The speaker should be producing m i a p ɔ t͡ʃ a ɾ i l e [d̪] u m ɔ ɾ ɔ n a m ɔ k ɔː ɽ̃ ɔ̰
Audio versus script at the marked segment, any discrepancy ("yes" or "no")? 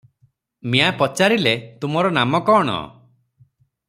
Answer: yes